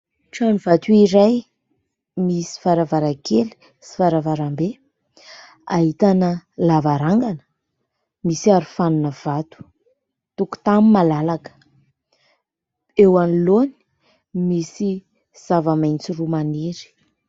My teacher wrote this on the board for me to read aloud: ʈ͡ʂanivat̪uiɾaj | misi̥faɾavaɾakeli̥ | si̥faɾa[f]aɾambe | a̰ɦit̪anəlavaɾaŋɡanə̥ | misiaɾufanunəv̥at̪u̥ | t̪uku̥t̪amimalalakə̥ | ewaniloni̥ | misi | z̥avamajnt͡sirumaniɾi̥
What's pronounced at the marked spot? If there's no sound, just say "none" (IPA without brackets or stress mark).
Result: v